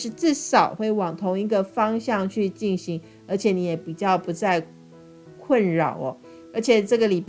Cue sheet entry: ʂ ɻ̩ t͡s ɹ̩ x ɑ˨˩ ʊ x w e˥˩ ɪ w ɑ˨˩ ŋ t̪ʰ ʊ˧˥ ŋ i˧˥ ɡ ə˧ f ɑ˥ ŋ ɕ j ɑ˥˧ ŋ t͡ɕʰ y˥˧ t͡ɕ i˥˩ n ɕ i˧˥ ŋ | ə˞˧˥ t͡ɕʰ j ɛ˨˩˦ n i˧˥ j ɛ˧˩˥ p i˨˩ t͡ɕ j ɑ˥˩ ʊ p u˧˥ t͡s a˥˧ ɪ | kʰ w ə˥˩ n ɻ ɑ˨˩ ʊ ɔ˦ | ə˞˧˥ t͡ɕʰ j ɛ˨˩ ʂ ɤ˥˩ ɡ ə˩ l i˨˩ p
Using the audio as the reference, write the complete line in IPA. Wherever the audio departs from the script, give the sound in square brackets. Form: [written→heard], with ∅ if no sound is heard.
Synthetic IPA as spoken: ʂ ɻ̩ t͡s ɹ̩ [x→ʂ] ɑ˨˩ ʊ x w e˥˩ ɪ w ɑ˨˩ ŋ t̪ʰ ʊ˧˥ ŋ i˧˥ ɡ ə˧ f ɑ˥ ŋ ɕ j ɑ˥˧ ŋ t͡ɕʰ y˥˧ t͡ɕ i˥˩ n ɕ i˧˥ ŋ | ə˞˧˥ t͡ɕʰ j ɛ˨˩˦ n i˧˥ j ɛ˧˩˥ p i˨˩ t͡ɕ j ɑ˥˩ ʊ p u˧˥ t͡s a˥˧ ɪ | kʰ w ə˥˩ n ɻ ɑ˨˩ ʊ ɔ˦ | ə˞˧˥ t͡ɕʰ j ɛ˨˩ [ʂ→ʈ͡ʂ] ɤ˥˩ ɡ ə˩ l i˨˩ p